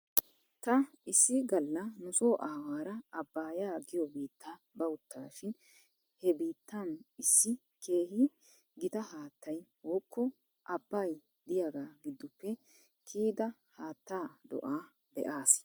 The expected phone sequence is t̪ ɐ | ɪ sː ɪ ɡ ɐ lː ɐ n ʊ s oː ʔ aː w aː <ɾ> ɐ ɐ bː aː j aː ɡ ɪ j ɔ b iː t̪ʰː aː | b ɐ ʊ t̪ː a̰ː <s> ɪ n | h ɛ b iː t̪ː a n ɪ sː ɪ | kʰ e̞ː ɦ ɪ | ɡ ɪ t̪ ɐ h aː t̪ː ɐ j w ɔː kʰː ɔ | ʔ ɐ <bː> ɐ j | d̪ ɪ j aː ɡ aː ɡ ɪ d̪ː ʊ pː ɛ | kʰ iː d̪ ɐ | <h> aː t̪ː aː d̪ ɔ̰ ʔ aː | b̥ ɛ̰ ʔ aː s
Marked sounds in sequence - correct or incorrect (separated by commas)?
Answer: correct, incorrect, correct, correct